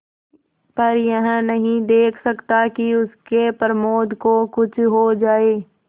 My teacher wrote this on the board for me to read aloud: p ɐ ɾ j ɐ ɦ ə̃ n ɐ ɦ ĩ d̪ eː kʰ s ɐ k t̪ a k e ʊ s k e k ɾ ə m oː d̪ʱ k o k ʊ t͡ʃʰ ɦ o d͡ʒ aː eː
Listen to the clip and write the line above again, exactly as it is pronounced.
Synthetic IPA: p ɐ ɾ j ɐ ɦ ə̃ n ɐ ɦ ĩ d̪ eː kʰ s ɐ k t̪ a k i ʊ s k e p ɾ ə m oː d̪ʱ k o k ʊ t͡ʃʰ ɦ o d͡ʒ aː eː

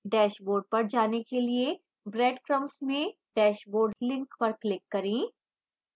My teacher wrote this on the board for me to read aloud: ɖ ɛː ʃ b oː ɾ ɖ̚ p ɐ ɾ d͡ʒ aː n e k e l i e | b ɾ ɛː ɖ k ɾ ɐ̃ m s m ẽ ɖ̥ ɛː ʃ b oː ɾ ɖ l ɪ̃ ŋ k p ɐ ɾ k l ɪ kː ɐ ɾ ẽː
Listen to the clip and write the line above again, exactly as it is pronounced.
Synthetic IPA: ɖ ɛː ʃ b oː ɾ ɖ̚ p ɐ ɾ d͡ʒ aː n e k e l i e | b ɾ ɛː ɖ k ɾ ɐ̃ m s m ẽ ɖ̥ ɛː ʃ b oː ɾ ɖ l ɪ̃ ŋ k p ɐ ɾ k l ɪ kː ɐ ɾ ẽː

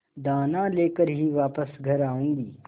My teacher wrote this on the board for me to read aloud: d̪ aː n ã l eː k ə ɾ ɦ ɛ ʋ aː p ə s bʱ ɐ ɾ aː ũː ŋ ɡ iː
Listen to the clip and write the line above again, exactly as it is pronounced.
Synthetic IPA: d̪ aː n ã l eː k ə ɾ ɦ i ʋ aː p ə s ɡʱ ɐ ɾ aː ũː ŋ ɡ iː

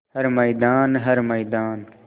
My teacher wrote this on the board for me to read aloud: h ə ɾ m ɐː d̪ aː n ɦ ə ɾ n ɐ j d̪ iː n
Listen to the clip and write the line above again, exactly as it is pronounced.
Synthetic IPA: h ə ɾ m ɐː d̪ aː n ɦ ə ɾ m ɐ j d̪ aː n

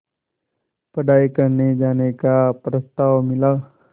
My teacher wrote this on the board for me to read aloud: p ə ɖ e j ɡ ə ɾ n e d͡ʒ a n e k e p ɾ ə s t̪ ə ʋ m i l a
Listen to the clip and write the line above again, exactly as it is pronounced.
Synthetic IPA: p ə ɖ a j k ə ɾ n e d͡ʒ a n e k a p ɾ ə s t̪ a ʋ m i l a

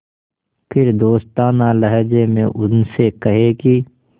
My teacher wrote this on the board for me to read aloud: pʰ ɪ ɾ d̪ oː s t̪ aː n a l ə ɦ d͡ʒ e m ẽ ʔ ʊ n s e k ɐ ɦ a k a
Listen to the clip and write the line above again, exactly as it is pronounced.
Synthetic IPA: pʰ ɪ ɾ d̪ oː s t̪ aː n a l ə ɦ d͡ʒ e m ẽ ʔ ʊ n s e k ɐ ɦ e k i

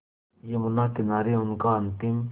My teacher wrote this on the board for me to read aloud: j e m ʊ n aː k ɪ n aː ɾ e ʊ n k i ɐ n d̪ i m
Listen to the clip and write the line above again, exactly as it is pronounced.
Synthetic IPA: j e m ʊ n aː k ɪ n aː ɾ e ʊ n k a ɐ n t̪ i m

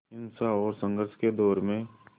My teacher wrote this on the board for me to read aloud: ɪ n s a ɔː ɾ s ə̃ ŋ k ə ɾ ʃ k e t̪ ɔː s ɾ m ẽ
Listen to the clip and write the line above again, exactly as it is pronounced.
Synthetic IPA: ɪ n s a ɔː ɾ s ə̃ ŋ ɡ ə ɾ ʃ k e d̪ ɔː ɾ m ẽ

